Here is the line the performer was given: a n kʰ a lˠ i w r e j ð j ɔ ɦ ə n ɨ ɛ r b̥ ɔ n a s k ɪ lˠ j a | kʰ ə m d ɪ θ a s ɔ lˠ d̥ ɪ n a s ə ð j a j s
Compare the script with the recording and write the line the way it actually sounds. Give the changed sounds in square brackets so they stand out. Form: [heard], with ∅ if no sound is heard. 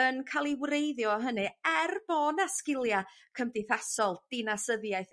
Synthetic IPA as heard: [ə] n kʰ a lˠ i w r e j ð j ɔ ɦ ə n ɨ ɛ r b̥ ɔ n a s k ɪ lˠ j a | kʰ ə m d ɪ θ a s ɔ lˠ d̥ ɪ n a s ə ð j a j [θ]